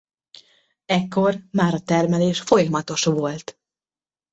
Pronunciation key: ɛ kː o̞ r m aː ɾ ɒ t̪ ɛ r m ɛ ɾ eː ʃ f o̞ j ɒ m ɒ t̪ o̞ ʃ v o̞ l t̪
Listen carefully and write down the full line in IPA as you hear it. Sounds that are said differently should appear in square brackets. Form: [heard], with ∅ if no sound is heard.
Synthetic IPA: ɛ kː o̞ r m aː ɾ ɒ t̪ ɛ r m ɛ [l] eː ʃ f o̞ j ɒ m ɒ t̪ o̞ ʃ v o̞ l t̪